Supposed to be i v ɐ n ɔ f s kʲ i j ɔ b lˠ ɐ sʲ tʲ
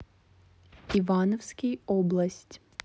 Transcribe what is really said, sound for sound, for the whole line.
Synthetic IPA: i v a n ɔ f s kʲ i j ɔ b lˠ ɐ sʲ tʲ